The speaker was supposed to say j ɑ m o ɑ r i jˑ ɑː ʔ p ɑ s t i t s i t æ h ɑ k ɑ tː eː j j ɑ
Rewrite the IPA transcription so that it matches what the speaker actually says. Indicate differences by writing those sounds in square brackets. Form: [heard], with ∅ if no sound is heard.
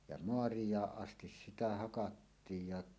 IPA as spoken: j ɑ m o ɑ r i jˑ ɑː ʔ [ʔ] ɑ s t i [s] s i t æ h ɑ k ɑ tː [iː] j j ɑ